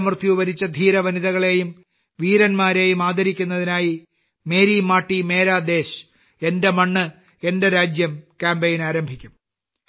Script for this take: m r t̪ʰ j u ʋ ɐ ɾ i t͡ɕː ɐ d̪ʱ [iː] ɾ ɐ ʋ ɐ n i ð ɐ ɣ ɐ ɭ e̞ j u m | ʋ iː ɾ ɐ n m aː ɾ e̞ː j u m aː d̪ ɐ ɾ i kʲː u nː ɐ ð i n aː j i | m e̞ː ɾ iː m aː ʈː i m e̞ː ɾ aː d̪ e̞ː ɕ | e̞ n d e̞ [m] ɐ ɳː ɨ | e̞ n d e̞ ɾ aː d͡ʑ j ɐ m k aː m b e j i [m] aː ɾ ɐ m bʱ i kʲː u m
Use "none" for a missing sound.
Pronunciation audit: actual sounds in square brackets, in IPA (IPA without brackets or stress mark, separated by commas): iː, m, n